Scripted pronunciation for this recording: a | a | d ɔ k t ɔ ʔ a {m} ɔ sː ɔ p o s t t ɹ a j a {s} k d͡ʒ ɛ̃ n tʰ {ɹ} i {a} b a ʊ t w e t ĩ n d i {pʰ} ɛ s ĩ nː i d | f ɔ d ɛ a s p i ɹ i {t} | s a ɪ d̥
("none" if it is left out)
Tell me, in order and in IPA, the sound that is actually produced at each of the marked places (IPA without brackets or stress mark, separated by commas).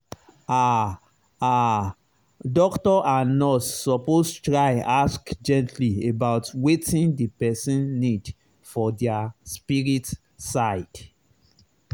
n, s, l, e, p, t